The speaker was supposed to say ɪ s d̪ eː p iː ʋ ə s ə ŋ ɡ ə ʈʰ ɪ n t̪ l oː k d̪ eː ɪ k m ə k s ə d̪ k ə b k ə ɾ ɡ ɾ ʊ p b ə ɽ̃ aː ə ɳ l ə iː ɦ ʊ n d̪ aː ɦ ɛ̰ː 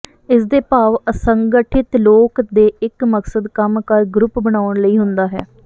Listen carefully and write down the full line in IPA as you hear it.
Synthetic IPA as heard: ɪ s d̪ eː p aː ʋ ə s ə ŋ ɡ ə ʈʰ ɪ t̪ l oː k d̪ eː ɪ k m ə k s ə d̪ k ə m k ə ɾ ɡ ɾ ʊ p b ə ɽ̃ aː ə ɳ l ə iː ɦ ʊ n d̪ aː ɦ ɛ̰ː